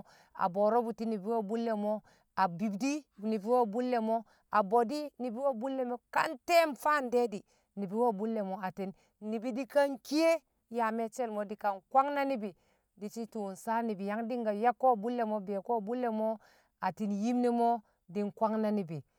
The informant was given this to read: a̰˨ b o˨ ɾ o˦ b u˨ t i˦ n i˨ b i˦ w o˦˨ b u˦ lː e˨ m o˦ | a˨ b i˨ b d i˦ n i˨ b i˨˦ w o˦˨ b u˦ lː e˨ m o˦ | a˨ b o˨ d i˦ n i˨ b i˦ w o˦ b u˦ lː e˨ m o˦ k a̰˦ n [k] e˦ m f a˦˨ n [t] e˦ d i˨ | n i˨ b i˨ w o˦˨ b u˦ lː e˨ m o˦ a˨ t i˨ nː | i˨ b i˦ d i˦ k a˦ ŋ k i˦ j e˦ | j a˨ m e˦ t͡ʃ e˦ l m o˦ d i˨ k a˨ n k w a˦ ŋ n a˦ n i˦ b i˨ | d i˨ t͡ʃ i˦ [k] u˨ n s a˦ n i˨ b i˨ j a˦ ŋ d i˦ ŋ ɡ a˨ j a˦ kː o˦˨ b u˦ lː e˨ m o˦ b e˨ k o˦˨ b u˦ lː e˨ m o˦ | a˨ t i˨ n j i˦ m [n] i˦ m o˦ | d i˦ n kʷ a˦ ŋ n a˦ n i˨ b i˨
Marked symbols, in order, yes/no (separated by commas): no, no, no, yes